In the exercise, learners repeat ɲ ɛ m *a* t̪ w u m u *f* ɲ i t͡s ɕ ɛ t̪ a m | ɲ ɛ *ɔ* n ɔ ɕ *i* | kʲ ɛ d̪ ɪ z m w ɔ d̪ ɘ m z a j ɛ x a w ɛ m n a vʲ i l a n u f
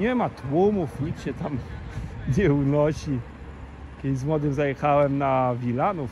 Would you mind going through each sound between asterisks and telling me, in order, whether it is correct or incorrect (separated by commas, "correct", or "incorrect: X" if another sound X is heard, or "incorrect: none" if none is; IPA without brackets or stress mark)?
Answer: correct, correct, incorrect: u, correct